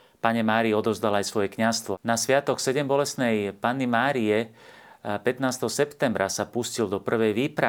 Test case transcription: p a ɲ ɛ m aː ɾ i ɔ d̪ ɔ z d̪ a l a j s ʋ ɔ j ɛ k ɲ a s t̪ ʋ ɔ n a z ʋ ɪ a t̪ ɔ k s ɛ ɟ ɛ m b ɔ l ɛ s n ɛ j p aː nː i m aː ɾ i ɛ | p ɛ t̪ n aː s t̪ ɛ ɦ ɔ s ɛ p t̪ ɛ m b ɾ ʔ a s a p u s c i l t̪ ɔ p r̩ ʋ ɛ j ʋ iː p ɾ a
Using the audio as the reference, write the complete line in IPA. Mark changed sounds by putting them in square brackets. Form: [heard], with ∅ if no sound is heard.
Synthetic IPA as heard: p a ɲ ɛ m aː ɾ i ɔ d̪ ɔ z d̪ a l a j s ʋ ɔ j ɛ k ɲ a s t̪ ʋ ɔ n a [s] ʋ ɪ a t̪ ɔ k s ɛ ɟ ɛ m b ɔ l ɛ s n ɛ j p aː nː i m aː ɾ i ɛ | p ɛ t̪ n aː s t̪ ɛ ɦ ɔ s ɛ p t̪ ɛ m b ɾ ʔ a s a p u s c i l [d̪] ɔ p r̩ ʋ ɛ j ʋ iː p ɾ a